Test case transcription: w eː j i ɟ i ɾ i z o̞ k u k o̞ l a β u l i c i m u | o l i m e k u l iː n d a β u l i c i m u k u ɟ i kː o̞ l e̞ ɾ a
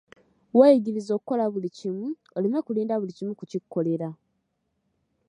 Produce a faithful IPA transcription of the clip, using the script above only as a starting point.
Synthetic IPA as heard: w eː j i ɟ i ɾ i z o̞ k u k o̞ l a β u l i c i m u | o l i m e k u l iː n d a β u l i c i m u k u c i kː o̞ l e̞ ɾ a